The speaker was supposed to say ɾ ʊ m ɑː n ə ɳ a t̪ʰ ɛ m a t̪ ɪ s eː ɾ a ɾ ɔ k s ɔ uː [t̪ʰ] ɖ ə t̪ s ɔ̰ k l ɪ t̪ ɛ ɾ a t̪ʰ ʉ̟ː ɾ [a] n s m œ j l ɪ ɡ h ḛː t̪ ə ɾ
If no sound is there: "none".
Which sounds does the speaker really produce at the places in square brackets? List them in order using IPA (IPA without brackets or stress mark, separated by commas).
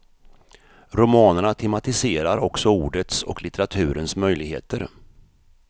none, ə